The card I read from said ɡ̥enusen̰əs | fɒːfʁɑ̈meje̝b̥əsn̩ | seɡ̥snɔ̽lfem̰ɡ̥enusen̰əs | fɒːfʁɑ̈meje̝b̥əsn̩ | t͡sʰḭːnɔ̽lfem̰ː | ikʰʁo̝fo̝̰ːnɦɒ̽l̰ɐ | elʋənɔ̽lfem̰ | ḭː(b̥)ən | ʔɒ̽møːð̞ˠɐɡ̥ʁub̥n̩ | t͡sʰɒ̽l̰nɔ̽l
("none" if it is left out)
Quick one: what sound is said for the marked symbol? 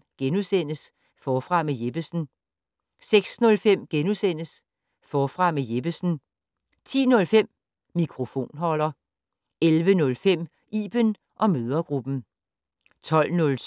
b̥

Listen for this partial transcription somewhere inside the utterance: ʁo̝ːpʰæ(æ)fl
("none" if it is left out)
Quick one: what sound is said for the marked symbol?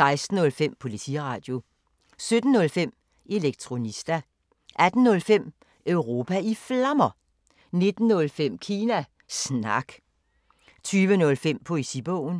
i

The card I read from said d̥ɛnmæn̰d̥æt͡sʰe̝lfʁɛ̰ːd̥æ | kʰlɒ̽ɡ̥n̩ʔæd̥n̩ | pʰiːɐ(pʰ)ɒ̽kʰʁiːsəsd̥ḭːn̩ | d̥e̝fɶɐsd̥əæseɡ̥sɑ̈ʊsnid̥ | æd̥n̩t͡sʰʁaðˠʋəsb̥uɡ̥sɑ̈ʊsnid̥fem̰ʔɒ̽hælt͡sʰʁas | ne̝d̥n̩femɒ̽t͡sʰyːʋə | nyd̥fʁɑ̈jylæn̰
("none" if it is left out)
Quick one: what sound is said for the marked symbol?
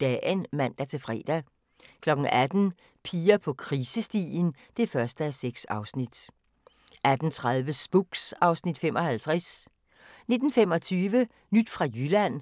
pʰ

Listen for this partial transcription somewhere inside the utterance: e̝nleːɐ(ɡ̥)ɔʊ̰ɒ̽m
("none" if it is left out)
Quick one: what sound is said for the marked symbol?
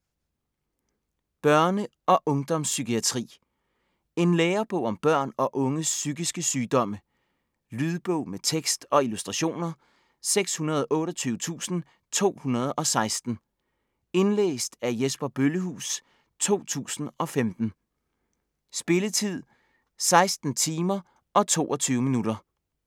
b̥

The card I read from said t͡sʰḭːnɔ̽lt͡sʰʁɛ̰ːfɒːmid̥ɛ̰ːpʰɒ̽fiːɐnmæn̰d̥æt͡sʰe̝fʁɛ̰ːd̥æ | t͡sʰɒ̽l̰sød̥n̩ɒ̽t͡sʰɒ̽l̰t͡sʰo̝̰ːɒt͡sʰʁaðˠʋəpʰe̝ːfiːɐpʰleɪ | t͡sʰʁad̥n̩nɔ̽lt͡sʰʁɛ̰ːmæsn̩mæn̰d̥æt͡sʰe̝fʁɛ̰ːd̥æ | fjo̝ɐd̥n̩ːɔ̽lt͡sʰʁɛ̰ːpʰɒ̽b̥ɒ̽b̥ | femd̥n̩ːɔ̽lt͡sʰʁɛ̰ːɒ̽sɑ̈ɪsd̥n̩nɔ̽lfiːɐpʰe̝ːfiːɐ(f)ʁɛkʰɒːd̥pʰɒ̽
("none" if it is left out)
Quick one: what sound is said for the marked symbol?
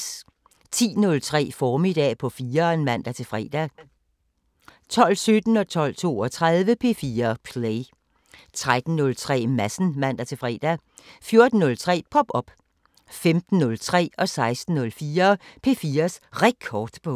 s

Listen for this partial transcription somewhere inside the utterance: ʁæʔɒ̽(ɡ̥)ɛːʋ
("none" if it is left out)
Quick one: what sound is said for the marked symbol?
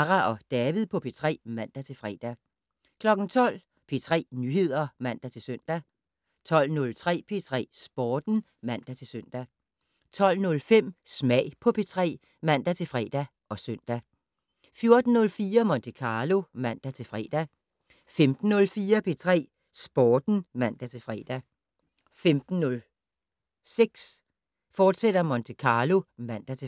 d̥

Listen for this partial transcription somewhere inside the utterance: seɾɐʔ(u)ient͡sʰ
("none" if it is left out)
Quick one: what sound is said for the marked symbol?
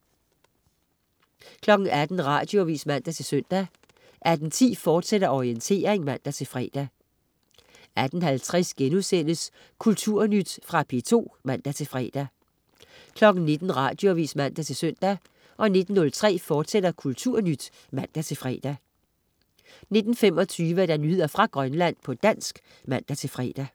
ɒ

